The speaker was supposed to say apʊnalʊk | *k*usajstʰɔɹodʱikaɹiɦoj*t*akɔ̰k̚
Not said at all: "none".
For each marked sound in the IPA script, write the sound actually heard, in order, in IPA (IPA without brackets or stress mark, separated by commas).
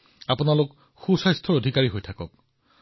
x, tʰ